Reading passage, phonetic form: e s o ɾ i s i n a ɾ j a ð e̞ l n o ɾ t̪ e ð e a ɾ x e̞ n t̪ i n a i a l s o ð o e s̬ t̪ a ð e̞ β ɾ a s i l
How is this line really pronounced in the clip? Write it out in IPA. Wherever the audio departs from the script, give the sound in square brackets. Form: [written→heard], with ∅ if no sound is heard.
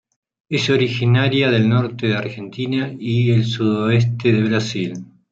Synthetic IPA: e s o ɾ i [s→x] i n a ɾ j a ð e̞ l n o ɾ t̪ e ð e a ɾ x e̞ n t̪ i n a i [a→e] l s [o→u] ð o e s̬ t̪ [a→e] ð e̞ β ɾ a s i l